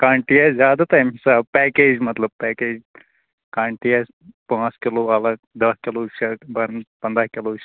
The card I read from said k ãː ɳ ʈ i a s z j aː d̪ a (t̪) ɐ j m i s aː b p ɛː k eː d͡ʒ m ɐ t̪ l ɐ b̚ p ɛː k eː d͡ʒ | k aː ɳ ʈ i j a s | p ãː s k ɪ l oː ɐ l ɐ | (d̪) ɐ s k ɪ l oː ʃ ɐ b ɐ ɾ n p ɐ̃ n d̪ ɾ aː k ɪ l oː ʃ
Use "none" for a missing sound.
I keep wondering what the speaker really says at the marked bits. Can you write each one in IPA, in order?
t̪, d̪

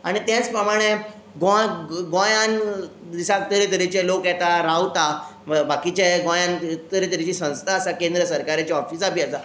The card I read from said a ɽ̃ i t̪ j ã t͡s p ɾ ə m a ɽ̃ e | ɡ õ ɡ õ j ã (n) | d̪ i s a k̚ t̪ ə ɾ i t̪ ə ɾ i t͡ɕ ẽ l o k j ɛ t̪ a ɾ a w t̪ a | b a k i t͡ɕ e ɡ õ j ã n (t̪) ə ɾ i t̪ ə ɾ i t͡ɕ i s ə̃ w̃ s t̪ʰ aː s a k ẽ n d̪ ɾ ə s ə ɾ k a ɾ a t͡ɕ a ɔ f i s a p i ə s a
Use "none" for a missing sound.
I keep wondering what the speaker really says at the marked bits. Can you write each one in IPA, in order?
n, t̪

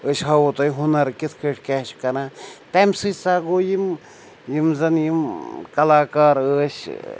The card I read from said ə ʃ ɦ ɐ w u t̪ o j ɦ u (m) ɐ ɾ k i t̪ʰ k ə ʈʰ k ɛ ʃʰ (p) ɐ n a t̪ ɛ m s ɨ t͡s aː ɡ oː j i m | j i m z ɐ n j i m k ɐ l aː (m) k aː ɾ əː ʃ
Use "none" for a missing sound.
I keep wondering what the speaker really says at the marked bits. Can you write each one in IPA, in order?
n, k, none

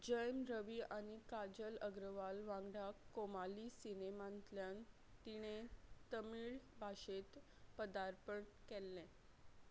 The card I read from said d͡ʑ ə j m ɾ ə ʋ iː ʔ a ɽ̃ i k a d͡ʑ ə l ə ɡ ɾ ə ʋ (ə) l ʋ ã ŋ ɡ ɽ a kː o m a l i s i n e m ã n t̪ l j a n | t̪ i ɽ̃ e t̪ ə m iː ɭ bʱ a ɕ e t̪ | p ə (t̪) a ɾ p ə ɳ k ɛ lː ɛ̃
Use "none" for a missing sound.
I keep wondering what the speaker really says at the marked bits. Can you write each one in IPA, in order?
a, d̪

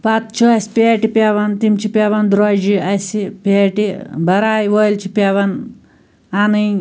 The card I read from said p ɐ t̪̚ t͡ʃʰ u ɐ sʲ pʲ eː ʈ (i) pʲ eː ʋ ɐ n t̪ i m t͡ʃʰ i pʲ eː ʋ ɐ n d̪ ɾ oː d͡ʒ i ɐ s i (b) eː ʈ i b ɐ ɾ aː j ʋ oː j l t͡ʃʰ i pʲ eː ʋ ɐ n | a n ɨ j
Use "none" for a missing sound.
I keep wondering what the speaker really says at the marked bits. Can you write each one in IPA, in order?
i, p

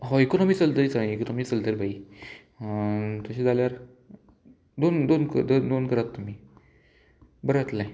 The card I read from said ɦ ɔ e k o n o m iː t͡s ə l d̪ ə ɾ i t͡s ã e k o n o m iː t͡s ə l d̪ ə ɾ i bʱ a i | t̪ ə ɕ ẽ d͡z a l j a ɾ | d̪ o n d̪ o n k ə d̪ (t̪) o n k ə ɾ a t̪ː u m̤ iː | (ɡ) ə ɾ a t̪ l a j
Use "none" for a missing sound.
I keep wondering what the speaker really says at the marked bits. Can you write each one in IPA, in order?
d̪, b

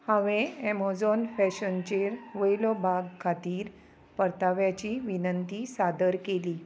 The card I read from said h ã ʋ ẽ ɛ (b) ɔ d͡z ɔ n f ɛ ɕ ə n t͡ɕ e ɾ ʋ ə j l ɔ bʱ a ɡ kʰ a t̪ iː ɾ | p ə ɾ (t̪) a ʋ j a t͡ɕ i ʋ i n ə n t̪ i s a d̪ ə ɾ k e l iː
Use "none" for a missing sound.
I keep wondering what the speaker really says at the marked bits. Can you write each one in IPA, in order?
m, t̪

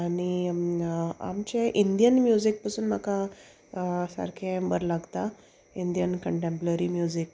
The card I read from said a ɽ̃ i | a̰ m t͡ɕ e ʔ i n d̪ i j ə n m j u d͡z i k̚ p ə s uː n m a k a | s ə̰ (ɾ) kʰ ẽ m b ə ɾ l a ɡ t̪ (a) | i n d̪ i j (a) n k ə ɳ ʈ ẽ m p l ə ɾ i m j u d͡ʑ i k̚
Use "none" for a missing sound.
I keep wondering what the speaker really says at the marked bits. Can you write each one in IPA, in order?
ɾ, a, ə

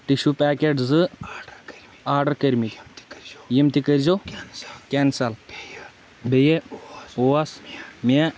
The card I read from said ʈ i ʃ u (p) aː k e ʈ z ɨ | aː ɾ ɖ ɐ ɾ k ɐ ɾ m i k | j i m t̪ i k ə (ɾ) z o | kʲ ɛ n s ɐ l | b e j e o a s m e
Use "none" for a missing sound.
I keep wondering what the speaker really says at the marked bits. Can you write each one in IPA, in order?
p, ɾ

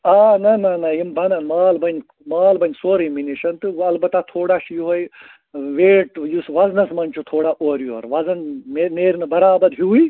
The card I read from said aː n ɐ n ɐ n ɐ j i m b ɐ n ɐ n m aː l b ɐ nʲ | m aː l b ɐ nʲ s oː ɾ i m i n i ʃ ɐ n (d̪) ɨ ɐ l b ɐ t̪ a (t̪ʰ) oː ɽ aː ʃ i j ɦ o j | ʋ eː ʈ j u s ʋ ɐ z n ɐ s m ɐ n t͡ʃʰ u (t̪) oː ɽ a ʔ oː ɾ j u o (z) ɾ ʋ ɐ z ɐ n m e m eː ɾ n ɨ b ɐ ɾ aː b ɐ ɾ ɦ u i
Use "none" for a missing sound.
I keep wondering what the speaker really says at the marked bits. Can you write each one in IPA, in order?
t̪, t̪ʰ, t̪ʰ, none

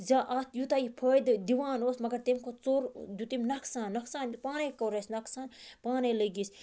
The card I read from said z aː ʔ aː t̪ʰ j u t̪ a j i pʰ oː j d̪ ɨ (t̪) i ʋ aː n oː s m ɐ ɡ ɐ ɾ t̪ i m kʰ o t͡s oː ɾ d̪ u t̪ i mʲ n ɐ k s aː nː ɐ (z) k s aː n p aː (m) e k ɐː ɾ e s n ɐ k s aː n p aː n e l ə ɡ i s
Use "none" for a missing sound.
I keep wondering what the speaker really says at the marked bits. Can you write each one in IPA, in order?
d̪, none, n

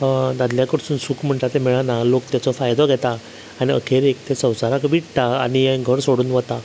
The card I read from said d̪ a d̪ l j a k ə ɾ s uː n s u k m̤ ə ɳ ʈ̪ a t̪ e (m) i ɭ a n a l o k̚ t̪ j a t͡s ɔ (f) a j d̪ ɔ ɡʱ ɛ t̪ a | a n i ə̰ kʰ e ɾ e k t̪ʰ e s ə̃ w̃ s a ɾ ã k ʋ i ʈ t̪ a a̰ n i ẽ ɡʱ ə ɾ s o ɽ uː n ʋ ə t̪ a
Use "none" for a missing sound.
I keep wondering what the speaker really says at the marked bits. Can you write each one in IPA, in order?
m, f

